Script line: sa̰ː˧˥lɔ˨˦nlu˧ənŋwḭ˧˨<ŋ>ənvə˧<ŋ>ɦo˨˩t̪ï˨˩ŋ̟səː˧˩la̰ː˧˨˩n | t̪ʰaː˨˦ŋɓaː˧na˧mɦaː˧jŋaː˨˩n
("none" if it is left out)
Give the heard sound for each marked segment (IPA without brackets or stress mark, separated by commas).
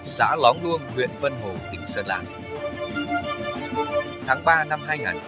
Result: none, n